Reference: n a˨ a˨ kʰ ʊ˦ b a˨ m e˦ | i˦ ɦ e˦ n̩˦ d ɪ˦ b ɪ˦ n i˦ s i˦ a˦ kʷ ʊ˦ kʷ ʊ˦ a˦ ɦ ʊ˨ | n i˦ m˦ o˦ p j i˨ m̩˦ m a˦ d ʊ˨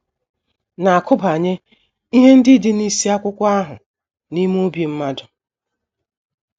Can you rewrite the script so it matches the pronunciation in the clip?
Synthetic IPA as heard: n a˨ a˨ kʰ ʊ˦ b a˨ ɲ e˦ | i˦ ɦ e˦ n̩˦ d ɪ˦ d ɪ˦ n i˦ s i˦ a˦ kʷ ʊ˦ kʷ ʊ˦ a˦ ɦ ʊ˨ | n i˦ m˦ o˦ b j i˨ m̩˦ m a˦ d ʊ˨